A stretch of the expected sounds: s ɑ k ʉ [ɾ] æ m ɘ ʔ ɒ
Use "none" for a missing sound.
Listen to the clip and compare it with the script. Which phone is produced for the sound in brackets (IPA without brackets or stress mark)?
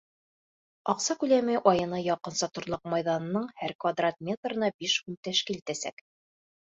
l